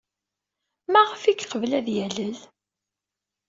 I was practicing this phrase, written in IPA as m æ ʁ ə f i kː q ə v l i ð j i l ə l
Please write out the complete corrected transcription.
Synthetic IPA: m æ ʁ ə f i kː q ə v l æ ð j æ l ə l